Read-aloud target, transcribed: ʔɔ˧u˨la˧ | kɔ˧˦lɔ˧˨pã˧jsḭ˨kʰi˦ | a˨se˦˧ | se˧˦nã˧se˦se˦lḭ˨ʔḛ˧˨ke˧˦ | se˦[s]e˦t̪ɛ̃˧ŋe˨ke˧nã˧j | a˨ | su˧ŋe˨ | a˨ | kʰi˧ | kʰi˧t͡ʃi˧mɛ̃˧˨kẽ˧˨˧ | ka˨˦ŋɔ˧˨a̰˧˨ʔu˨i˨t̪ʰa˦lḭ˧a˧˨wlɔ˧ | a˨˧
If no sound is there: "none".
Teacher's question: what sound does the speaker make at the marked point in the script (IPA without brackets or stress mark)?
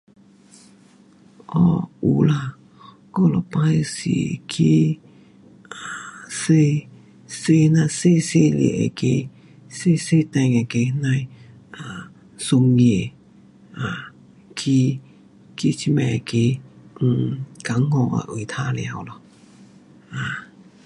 s